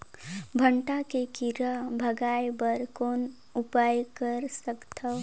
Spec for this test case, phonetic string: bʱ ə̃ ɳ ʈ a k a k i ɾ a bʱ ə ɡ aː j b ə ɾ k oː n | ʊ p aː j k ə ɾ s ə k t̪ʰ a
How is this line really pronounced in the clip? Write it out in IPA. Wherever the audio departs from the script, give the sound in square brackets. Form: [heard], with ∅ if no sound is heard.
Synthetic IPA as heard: bʱ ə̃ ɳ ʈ a k [e] k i ɾ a bʱ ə ɡ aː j b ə ɾ k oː n | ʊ p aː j k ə ɾ s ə k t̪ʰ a